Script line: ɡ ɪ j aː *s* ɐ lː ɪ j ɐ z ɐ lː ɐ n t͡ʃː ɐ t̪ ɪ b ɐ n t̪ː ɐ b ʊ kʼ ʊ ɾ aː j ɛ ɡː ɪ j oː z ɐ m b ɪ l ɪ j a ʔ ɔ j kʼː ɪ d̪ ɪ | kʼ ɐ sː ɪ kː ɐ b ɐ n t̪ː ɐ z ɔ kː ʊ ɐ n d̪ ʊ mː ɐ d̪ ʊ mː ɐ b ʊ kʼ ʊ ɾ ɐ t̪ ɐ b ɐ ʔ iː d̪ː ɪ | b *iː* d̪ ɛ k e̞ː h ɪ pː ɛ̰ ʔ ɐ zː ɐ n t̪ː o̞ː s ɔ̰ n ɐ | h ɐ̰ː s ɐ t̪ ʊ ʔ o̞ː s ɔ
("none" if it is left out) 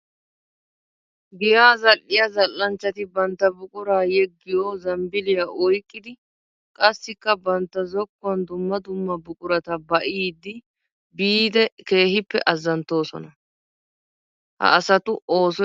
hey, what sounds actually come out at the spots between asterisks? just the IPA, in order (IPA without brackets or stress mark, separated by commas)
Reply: z, iː